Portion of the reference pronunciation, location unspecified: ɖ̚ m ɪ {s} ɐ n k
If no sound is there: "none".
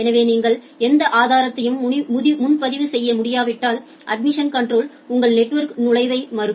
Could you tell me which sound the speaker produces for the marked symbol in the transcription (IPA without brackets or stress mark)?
ʂ